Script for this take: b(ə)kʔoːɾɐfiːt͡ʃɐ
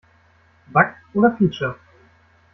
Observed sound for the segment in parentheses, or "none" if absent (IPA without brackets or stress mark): a